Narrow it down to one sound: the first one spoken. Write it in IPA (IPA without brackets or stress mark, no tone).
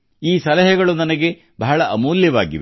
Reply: iː